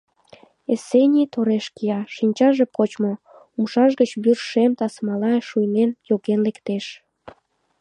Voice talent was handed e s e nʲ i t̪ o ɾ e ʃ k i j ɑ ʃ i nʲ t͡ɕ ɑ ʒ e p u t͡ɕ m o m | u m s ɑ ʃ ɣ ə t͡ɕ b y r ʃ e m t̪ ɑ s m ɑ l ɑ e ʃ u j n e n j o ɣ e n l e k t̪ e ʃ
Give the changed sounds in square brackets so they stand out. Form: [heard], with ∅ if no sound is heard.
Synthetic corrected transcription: e s e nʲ i t̪ o ɾ e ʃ k i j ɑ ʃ i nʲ t͡ɕ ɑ ʒ e p [o] t͡ɕ m o [∅] | u m [ʃ] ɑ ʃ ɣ ə t͡ɕ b y r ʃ e m t̪ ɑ s m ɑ l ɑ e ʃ u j n e n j o ɣ e n l e k t̪ e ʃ